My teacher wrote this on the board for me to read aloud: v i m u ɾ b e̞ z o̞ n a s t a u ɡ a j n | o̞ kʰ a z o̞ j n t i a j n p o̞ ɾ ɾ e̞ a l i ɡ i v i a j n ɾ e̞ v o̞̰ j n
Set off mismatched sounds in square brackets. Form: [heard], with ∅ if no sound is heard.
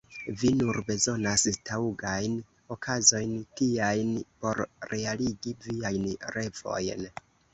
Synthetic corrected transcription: v i [n] u ɾ b e̞ z o̞ n a s t a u ɡ a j n | o̞ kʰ a z o̞ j n t i a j n p o̞ ɾ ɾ e̞ a l i ɡ i v i a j n ɾ e̞ v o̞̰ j n